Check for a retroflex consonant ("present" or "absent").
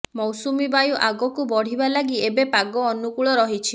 present